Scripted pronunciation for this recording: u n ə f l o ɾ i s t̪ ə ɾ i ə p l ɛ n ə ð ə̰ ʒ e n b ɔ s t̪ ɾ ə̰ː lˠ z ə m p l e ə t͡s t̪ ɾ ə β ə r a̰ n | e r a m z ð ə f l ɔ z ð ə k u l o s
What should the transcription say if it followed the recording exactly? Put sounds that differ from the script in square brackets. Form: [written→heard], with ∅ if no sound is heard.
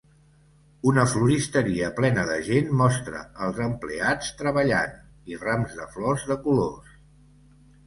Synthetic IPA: u n ə f l [o→u] ɾ i s t̪ ə ɾ i ə p l ɛ n ə ð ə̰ ʒ e n [b→m] ɔ s t̪ ɾ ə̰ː lˠ z ə m p l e [ə→a] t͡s t̪ ɾ ə β ə [r→ʎ] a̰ n | [e→i] r a m z ð ə f l ɔ z ð ə k u l o s